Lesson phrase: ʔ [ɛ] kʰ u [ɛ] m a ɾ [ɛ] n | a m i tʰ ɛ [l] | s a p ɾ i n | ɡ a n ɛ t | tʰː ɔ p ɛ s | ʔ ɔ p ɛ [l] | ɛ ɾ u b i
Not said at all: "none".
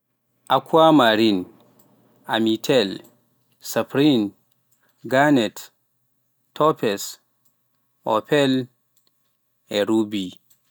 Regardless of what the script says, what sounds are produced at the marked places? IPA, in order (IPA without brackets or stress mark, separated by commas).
a, a, i, l, l